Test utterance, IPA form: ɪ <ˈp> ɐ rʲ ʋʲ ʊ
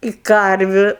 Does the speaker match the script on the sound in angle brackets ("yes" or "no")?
no